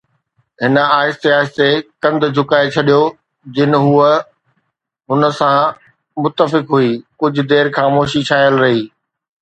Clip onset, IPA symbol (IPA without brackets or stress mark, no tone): ɦ